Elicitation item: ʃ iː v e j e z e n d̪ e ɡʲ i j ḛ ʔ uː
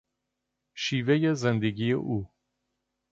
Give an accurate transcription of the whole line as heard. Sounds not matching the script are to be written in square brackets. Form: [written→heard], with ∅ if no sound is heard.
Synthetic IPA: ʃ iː v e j e z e n d̪ e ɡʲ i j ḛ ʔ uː

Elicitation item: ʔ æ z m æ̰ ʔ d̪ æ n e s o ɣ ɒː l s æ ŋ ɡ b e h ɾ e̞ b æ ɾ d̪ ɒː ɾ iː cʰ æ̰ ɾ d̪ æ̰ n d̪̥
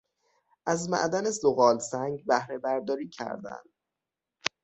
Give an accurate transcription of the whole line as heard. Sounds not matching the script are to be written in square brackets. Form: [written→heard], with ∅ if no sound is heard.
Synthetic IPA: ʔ æ z m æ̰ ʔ d̪ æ n e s o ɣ ɒː l s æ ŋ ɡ b [e→æ] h ɾ e̞ b æ ɾ d̪ ɒː ɾ iː cʰ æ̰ ɾ d̪ æ̰ n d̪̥

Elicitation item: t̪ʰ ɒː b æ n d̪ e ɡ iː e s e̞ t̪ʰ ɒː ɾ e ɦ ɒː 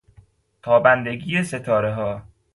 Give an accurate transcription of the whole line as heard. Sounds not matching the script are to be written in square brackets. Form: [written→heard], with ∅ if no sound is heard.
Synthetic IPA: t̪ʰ ɒː b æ n d̪ e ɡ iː e s e̞ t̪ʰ ɒː ɾ e ɦ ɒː

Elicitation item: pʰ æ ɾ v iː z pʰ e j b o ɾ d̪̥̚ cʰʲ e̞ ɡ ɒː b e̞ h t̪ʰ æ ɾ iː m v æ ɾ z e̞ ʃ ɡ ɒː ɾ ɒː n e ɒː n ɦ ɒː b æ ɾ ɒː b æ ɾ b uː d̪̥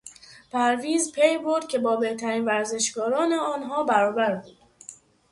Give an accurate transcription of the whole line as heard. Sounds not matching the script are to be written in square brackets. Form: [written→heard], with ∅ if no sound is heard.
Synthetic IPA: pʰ æ ɾ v iː z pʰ e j b o ɾ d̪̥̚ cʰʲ e̞ [ɡ→b] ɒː b e̞ h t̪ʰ æ ɾ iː [m→n] v æ ɾ z e̞ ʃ ɡ ɒː ɾ ɒː n e ɒː n ɦ ɒː b æ ɾ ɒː b æ ɾ b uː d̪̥

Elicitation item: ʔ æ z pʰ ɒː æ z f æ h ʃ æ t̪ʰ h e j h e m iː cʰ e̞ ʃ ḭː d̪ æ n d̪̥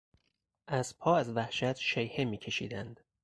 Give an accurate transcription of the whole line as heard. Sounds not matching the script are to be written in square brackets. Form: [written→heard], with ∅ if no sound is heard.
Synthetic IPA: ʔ æ z pʰ ɒː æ z [f→v] æ h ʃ æ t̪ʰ [h→ʃ] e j h e m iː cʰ e̞ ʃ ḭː d̪ æ n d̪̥

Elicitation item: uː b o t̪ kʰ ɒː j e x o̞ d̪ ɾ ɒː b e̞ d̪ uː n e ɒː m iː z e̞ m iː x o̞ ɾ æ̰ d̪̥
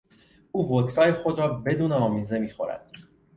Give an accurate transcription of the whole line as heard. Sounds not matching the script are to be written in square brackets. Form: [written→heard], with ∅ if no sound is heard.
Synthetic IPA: uː [b→v] o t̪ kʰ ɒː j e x o̞ d̪ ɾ ɒː b e̞ d̪ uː n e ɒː m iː z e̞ m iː x o̞ ɾ æ̰ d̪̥

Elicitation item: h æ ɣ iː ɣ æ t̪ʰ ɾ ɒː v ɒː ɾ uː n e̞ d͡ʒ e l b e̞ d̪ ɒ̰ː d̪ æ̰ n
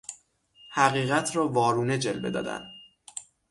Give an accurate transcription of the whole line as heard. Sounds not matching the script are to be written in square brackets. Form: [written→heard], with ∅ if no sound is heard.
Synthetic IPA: h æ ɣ iː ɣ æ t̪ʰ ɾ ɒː v ɒː ɾ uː n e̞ d͡ʒ e l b e̞ d̪ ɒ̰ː d̪ æ̰ n

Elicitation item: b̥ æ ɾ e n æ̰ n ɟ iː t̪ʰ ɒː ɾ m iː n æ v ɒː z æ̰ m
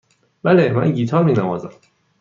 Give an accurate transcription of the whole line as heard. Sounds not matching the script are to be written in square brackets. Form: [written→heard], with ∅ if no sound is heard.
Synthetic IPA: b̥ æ [ɾ→l] e [n→m] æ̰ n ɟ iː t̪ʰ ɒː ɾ m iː n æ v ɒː z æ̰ m

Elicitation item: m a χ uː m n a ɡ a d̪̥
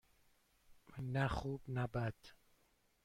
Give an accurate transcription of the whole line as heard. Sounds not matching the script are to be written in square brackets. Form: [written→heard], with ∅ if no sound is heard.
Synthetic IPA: [m→n] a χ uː [m→b] n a [ɡ→b] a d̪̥

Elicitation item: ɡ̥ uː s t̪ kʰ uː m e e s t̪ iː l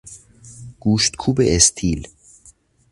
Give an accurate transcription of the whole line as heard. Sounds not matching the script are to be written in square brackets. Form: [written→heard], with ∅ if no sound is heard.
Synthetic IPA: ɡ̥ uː [s→ʃ] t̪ kʰ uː [m→b] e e s [t̪→t̪ʰ] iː l

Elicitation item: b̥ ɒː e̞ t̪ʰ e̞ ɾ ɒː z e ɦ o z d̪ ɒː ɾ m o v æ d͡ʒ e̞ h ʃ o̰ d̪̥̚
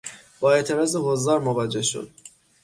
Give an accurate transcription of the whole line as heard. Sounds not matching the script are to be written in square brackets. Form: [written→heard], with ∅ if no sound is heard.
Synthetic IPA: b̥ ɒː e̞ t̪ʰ e̞ ɾ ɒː z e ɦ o z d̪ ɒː ɾ m o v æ d͡ʒ e̞ h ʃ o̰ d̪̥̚

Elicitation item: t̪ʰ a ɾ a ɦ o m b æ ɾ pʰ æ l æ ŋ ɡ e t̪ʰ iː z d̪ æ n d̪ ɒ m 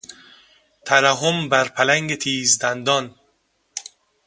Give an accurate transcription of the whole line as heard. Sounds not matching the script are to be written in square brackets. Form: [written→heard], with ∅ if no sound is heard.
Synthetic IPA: t̪ʰ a ɾ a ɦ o m b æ ɾ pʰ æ l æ ŋ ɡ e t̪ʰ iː z d̪ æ n d̪ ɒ [m→n]

